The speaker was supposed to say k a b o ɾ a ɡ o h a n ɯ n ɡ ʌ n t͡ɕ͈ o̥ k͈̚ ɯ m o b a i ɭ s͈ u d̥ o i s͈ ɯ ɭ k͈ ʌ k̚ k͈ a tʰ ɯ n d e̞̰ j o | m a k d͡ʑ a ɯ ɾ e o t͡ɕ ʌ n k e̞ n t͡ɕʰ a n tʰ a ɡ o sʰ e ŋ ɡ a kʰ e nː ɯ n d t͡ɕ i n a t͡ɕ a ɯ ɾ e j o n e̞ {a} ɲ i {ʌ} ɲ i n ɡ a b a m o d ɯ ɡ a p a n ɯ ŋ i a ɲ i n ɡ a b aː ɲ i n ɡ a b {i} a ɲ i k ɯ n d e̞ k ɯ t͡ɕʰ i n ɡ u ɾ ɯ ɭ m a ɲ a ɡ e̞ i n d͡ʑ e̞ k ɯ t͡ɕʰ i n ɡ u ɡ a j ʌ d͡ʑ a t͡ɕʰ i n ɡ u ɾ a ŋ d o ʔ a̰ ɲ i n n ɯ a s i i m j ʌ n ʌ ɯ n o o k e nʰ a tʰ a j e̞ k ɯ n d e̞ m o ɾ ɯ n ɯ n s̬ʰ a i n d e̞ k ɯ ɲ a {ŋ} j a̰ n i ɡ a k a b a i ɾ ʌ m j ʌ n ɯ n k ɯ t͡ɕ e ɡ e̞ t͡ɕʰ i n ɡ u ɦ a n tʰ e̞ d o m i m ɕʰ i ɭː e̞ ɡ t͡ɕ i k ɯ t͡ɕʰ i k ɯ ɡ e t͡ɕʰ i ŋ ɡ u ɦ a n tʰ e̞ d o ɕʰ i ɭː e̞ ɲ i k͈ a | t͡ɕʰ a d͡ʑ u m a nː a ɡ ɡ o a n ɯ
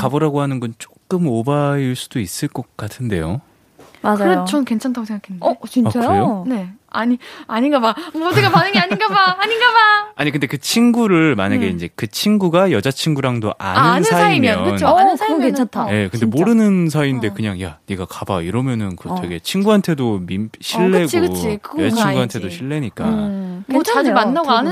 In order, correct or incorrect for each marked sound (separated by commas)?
correct, incorrect, incorrect, correct